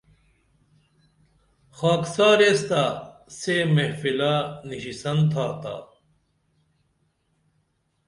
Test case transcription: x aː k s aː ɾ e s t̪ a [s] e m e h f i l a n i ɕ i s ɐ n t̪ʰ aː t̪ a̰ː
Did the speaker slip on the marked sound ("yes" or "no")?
no